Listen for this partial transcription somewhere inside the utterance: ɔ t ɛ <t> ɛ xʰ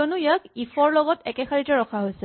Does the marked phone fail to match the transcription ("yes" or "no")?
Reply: yes